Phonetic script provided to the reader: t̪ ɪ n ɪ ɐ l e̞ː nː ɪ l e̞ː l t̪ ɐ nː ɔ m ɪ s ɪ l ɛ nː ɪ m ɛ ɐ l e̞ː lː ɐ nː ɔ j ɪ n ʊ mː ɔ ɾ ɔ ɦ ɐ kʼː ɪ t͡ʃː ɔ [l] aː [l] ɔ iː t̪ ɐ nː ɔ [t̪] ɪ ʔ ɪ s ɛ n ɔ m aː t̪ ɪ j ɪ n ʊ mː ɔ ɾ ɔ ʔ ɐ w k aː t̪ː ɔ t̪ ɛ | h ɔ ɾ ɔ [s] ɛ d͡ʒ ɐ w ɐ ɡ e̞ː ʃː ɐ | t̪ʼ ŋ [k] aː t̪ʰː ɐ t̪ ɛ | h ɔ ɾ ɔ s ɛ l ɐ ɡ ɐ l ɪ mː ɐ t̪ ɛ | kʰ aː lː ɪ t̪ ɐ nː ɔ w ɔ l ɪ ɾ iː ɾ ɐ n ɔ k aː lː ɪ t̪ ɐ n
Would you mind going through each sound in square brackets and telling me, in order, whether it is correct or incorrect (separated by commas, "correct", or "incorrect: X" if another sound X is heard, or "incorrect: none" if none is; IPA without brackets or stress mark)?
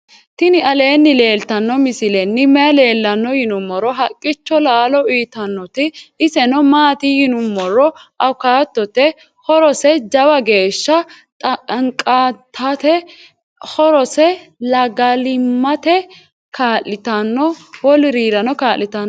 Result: correct, correct, correct, correct, incorrect: kʼ